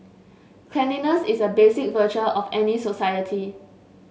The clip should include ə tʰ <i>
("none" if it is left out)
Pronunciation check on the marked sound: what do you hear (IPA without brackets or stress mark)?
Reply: i